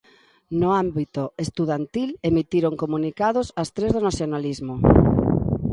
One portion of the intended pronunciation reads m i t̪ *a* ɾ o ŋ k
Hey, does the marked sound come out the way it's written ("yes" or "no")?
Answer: no